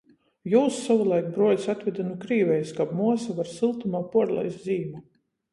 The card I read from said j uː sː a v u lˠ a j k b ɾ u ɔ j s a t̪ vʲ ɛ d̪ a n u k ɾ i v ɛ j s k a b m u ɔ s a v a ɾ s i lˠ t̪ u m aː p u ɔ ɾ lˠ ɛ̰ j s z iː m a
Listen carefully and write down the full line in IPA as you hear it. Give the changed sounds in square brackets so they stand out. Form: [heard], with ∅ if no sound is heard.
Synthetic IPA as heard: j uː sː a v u lˠ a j k b ɾ u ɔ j s a t̪ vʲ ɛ d̪ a n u k ɾ [iː] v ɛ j s k a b m u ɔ s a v a ɾ s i lˠ t̪ u m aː p u ɔ ɾ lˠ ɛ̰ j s z iː m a